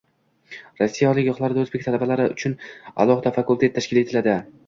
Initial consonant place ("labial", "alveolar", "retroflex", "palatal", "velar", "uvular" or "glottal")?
alveolar